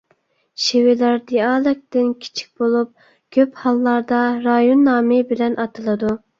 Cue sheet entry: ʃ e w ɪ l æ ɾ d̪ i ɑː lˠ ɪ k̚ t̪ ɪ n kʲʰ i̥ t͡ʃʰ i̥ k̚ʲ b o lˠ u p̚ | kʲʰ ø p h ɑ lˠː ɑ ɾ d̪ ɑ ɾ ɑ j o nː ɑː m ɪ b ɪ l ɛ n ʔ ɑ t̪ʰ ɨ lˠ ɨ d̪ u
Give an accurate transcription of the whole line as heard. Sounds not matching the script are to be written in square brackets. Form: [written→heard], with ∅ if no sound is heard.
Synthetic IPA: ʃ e w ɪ l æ ɾ d̪ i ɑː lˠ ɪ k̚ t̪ ɪ n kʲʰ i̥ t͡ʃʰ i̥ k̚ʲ b o lˠ u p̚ | kʲʰ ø p h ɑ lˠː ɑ ɾ d̪ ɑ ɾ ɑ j o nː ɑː m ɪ b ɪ l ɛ n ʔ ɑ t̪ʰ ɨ lˠ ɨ d̪ u